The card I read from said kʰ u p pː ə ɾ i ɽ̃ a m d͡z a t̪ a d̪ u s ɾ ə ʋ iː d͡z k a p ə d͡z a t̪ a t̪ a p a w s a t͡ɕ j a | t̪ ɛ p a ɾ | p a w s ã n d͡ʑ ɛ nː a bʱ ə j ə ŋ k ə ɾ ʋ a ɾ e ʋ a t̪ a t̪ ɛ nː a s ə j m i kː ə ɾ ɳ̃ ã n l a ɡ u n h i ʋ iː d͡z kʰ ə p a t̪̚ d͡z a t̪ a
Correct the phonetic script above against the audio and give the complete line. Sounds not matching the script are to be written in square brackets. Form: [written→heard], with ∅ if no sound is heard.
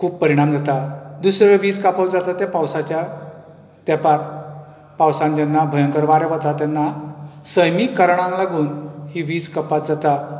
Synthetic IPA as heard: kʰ [u→uː] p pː ə ɾ i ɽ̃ a m d͡z a t̪ a d̪ u s ɾ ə ʋ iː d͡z k a p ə d͡z a t̪ a t̪ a p a w s a t͡ɕ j a | t̪ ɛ p a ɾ | p a w s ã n d͡ʑ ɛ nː a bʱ ə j ə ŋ k ə ɾ ʋ a ɾ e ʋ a t̪ a t̪ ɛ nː a s ə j m i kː ə ɾ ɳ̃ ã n l a ɡ [u→uː] n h i ʋ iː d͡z [kʰ→k] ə p a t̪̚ d͡z a t̪ a